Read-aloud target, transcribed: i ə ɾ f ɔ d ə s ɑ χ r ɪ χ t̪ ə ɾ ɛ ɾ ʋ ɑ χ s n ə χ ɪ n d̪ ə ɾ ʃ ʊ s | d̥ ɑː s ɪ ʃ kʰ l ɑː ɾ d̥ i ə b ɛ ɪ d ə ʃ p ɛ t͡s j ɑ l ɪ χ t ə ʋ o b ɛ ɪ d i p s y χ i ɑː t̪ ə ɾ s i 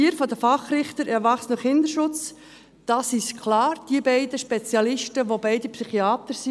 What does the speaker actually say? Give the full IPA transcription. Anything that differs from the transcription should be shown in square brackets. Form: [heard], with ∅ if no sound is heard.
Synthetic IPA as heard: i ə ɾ f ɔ d ə [f] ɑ χ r ɪ χ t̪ ə ɾ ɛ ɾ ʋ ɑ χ s n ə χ ɪ n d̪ ə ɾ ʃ ʊ [t͡s] | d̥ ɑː s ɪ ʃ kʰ l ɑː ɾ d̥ i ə b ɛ ɪ d ə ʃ p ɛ t͡s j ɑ l ɪ [ʃ] t ə ʋ o b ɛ ɪ d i p s y χ i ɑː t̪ ə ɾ s i